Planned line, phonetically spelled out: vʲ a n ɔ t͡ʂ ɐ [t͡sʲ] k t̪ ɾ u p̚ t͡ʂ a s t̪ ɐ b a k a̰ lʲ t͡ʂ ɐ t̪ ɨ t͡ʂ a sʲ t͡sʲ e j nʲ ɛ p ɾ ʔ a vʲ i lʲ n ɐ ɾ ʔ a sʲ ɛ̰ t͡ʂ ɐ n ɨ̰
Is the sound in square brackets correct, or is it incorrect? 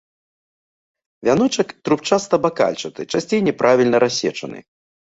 incorrect